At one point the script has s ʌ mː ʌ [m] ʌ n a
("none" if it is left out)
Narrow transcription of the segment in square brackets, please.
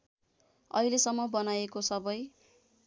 b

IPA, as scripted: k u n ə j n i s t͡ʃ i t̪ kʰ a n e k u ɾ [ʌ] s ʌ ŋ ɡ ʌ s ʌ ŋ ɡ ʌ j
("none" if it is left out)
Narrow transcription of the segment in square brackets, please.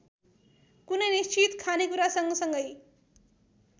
a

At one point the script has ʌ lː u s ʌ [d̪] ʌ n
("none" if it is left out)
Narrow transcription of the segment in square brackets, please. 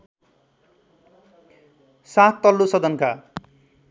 d̪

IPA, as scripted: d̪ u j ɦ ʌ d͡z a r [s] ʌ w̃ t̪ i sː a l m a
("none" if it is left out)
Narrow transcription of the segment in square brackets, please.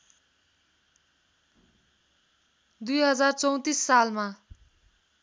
t͡s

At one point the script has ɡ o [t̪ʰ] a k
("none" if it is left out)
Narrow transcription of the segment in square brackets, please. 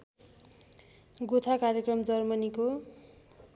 t̪ʰ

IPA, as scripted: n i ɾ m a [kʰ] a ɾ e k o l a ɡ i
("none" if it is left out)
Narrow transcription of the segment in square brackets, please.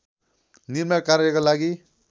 k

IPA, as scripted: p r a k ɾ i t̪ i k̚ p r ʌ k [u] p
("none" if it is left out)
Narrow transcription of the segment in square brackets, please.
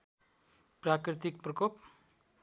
o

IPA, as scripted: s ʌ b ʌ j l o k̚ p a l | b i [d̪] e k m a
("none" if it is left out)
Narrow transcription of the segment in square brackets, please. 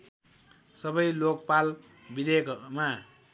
d̪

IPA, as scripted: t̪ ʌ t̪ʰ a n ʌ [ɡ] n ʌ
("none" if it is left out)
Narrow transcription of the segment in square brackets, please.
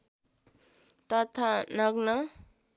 ɡ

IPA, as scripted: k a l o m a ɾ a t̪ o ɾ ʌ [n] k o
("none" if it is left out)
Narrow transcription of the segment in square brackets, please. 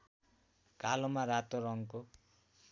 ŋ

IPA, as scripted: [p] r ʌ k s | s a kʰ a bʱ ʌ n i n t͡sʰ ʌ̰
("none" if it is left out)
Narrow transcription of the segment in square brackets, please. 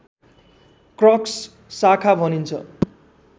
k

